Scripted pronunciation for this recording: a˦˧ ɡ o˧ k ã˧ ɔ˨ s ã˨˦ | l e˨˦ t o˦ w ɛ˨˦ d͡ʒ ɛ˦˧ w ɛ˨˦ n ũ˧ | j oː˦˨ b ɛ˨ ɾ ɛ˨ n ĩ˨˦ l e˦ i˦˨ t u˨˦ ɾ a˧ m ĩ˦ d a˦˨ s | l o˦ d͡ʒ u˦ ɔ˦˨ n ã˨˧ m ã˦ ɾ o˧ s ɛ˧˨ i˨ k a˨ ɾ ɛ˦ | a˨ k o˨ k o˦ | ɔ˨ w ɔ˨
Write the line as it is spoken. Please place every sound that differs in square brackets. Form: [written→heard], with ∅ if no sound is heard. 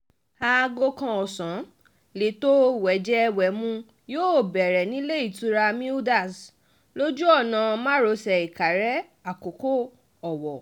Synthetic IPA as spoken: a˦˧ ɡ o˧ k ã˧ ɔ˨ s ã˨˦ | l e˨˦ t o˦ w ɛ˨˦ d͡ʒ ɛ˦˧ w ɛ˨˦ [n→m] ũ˧ | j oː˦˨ b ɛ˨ ɾ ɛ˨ n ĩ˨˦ l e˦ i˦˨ t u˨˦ ɾ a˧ m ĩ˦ d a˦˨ s | l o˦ d͡ʒ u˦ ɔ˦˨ n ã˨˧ m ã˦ ɾ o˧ s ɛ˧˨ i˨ k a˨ ɾ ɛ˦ | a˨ k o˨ k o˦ | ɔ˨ w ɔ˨

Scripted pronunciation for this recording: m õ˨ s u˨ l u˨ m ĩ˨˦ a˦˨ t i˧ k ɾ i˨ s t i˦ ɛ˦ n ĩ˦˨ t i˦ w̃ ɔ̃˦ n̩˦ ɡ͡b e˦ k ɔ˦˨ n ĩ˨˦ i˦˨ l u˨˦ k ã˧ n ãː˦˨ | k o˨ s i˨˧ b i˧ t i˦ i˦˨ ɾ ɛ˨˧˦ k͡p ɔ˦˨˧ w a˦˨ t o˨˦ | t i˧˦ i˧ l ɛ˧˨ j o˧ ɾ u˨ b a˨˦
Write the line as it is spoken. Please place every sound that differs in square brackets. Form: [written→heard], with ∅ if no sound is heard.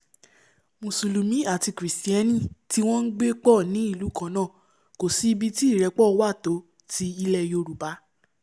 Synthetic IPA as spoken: m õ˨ s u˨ l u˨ m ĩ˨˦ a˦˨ t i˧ k ɾ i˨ s t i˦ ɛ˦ n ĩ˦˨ t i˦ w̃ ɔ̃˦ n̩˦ ɡ͡b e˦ [k→k͡p] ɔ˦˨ n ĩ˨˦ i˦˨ l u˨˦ k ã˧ n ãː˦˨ | k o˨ s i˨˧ b i˧ t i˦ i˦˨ ɾ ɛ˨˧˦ k͡p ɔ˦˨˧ w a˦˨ t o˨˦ | t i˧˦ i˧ l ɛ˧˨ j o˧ ɾ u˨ b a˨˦

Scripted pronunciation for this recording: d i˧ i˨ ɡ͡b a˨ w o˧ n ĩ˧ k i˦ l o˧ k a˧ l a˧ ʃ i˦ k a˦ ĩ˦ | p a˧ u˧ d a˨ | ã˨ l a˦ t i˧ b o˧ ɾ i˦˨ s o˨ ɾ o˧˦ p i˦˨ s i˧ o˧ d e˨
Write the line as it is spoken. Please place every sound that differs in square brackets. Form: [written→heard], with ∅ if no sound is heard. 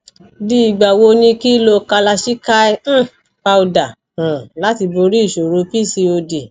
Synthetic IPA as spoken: d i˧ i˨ ɡ͡b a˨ w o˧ n ĩ˧ k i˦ l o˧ k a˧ l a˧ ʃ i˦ k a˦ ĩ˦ | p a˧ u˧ d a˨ | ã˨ l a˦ t i˧ b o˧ ɾ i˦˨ [s→ʃ] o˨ ɾ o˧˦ p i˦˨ s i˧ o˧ d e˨

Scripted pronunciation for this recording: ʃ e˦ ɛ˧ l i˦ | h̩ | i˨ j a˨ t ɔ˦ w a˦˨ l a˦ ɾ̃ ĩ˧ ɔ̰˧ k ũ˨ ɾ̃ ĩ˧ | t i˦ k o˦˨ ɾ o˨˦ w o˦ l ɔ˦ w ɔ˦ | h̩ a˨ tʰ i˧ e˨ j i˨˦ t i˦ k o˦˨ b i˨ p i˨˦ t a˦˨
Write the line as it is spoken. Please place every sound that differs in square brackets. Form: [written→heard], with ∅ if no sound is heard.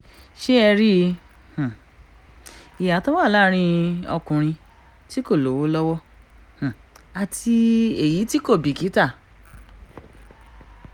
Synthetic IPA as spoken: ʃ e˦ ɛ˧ [l→ɾ] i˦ | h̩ | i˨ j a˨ t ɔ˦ w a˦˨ l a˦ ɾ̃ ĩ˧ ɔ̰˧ k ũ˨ ɾ̃ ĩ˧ | t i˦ k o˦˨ [ɾ→l] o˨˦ w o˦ l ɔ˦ w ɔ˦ | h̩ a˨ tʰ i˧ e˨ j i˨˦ t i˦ k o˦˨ b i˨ [p→k] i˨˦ t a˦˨

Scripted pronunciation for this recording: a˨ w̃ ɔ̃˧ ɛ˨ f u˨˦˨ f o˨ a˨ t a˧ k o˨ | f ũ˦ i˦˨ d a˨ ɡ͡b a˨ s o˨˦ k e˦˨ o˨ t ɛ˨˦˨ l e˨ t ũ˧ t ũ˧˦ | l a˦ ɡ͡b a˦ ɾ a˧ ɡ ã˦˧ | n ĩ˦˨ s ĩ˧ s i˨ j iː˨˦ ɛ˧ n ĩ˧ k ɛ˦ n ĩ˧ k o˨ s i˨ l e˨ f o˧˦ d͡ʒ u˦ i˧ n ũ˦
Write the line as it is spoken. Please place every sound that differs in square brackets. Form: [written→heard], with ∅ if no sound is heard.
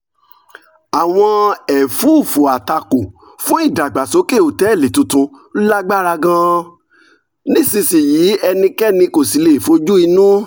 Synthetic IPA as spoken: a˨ w̃ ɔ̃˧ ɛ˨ f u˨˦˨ f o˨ a˨ t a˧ k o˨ | f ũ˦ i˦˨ d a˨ ɡ͡b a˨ s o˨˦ k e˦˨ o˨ t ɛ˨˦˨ l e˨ t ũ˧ t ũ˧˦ | l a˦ ɡ͡b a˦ ɾ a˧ ɡ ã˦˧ | n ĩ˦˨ s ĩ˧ s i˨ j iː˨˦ ɛ˧ n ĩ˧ k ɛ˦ n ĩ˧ k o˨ s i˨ l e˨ f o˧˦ d͡ʒ u˦ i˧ n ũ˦

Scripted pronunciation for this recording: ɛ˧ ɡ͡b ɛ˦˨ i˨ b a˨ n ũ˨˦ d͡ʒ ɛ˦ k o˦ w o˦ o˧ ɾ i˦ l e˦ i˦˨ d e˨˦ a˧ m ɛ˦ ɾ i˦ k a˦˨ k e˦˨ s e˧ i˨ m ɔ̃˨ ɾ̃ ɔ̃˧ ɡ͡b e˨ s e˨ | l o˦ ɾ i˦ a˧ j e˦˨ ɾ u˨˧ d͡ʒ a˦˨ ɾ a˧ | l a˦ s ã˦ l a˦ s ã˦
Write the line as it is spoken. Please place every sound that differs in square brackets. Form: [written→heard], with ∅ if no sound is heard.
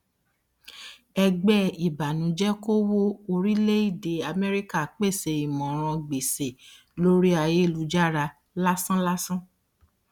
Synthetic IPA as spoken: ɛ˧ ɡ͡b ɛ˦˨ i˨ b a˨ n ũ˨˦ d͡ʒ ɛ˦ k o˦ w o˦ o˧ ɾ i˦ l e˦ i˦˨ d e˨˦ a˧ m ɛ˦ ɾ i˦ k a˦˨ [k→k͡p] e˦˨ s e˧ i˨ m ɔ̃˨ ɾ̃ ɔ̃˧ ɡ͡b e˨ s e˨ | l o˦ ɾ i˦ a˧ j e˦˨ [ɾ→l] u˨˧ d͡ʒ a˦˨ ɾ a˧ | l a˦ s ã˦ l a˦ s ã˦

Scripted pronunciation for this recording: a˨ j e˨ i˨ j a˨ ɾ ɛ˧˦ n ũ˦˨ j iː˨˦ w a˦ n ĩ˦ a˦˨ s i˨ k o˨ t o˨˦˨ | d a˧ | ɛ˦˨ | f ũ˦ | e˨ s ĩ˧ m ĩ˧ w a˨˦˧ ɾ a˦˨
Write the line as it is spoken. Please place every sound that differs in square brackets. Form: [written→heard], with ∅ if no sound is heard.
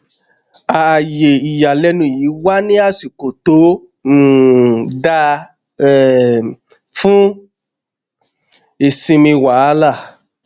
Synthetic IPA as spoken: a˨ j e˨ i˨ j a˨ [ɾ→l] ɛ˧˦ n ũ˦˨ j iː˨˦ w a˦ n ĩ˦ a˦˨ s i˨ k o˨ t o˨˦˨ | d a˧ | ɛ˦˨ | f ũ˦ | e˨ s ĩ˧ m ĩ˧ w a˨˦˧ [ɾ→l] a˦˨

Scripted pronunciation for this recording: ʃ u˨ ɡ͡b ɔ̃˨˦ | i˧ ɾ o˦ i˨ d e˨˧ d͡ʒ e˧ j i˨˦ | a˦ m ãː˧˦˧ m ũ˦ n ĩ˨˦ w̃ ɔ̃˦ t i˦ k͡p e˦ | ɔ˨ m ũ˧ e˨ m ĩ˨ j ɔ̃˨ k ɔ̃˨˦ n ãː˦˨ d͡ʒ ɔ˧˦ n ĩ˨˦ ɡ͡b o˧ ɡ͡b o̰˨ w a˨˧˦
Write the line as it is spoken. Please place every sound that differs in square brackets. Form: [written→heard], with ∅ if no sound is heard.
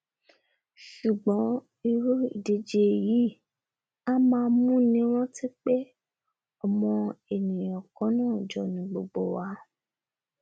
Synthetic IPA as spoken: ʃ u˨ ɡ͡b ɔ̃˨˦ | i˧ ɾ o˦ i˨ d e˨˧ d͡ʒ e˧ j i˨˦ | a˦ m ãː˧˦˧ m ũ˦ n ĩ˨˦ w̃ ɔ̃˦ t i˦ k͡p e˦ | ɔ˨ m [ũ˧→ɔ̃˧] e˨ [m→n] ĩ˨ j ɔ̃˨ k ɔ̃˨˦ n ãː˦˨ d͡ʒ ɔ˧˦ n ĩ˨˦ ɡ͡b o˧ ɡ͡b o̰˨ w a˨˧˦

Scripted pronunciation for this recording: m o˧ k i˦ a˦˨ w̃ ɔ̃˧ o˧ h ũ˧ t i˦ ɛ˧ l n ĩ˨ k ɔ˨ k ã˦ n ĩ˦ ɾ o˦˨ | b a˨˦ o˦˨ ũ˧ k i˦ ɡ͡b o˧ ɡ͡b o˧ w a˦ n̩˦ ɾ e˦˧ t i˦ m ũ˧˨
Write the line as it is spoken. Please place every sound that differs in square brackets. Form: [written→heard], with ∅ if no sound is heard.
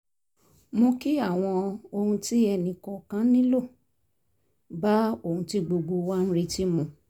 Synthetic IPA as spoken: m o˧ k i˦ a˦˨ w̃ ɔ̃˧ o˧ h ũ˧ t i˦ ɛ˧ [l→∅] n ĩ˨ k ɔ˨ k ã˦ n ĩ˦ [ɾ→l] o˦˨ | b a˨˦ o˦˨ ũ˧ [k→t] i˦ ɡ͡b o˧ ɡ͡b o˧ w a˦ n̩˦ ɾ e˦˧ t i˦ m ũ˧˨

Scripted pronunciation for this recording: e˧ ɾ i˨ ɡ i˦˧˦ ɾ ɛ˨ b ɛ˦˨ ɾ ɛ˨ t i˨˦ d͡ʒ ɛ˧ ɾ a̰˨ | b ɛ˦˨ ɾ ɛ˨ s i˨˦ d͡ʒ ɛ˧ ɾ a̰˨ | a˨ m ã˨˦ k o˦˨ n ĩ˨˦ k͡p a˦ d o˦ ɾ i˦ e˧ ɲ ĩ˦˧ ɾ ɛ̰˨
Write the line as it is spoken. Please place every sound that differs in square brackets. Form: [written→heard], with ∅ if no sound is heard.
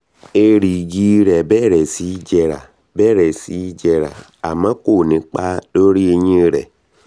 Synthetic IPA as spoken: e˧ ɾ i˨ ɡ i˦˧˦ ɾ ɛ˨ b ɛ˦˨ ɾ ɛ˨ [t→s] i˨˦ d͡ʒ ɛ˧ ɾ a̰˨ | b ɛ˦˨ ɾ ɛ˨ s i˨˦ d͡ʒ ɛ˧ ɾ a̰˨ | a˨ m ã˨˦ k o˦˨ n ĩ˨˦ k͡p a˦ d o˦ ɾ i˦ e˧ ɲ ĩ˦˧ ɾ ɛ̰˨

